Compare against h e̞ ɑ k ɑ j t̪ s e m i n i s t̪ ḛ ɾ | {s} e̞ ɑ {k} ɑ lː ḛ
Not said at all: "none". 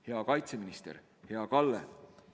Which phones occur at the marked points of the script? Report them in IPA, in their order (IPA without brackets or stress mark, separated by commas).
h, k